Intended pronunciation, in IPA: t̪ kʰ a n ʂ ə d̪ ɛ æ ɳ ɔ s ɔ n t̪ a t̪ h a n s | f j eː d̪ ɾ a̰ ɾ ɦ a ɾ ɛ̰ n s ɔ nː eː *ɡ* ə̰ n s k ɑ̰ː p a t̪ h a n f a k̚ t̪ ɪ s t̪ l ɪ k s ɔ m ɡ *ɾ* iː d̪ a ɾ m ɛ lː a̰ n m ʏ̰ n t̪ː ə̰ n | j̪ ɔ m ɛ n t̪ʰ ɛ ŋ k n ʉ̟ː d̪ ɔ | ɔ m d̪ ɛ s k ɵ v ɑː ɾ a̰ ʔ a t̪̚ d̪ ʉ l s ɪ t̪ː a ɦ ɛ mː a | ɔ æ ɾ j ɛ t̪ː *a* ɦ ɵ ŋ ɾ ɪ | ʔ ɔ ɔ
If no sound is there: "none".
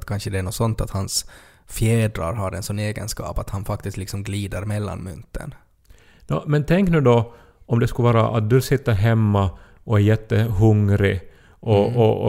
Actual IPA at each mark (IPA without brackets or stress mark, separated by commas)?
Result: ɡ, l, ə